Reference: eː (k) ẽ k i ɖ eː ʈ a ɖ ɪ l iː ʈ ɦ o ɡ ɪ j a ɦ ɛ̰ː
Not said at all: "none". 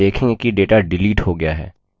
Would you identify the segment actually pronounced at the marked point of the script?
kʰ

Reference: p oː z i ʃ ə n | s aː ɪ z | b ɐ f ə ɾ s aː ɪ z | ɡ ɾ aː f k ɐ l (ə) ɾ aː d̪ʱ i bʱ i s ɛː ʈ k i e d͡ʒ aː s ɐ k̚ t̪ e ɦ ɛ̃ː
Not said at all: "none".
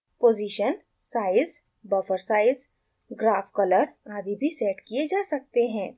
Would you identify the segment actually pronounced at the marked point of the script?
ə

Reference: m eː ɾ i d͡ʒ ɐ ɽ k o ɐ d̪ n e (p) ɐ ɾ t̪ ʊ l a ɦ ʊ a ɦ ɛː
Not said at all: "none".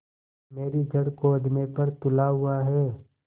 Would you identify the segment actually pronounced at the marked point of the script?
p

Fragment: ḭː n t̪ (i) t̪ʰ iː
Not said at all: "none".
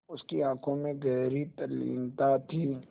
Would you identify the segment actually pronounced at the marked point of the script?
a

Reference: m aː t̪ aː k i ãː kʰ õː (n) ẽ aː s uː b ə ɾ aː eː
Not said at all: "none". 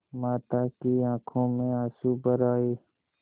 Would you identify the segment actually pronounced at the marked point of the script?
m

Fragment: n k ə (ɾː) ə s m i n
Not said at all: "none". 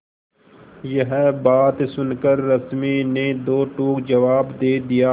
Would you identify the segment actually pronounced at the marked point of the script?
ɾː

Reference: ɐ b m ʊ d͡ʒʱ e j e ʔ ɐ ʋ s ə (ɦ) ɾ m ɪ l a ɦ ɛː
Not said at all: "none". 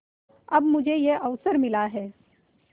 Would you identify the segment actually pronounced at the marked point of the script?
none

